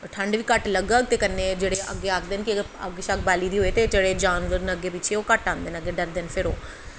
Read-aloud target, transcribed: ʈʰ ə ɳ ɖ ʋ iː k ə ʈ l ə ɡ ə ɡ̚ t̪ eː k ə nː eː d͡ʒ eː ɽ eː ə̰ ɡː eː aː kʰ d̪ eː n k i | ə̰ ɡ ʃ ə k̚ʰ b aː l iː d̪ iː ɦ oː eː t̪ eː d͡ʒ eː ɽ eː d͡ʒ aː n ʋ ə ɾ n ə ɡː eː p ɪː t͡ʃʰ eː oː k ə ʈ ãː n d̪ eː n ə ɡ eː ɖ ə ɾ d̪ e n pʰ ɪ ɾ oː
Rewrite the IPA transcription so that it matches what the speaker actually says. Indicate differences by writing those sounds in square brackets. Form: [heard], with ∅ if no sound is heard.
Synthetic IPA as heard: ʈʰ ə ɳ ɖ ʋ iː k ə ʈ l ə ɡ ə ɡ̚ t̪ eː k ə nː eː d͡ʒ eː ɽ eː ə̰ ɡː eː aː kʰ d̪ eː n k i | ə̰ ɡ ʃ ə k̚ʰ b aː l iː d̪ iː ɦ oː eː t̪ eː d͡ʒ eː ɽ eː d͡ʒ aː n ʋ ə ɾ n ə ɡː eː p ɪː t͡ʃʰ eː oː k ə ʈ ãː n d̪ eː n ə ɡ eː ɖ ə ɾ d̪ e n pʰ ɪ ɾ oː